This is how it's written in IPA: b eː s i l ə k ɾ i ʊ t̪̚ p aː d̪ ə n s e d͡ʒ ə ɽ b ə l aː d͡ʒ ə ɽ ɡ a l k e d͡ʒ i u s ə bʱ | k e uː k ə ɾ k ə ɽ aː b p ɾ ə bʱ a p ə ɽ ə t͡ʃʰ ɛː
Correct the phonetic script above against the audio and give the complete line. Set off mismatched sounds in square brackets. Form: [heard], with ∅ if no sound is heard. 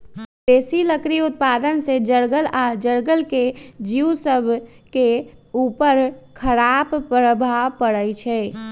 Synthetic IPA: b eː s i l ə k ɾ i ʊ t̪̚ p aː d̪ ə n s e d͡ʒ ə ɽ [ɡ] ə l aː d͡ʒ ə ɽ ɡ [ə] l k e d͡ʒ i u s ə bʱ | k e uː [p] ə ɾ [kʰ] ə [ɾ] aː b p ɾ ə bʱ a p ə ɽ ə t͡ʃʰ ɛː